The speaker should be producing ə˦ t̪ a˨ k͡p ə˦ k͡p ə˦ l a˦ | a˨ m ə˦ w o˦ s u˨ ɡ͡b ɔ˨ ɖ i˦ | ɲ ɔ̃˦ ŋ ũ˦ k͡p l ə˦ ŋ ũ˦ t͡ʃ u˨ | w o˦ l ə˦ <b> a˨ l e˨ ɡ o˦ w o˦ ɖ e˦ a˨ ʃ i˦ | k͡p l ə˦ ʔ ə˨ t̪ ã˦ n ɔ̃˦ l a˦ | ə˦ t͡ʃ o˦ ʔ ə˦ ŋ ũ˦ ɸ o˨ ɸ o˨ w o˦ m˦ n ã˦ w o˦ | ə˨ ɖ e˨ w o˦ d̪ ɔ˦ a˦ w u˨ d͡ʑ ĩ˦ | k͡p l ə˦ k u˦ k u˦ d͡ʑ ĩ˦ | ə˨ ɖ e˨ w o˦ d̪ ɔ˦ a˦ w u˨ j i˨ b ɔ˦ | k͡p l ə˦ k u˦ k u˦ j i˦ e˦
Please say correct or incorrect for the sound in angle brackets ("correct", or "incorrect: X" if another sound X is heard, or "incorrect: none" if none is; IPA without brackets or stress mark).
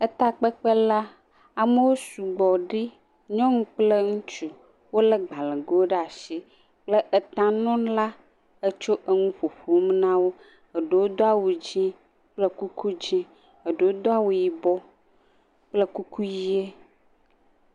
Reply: incorrect: ɡ͡b